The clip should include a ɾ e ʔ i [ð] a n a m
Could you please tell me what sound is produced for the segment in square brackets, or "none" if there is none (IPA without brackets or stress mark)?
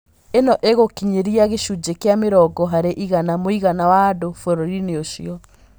ɣ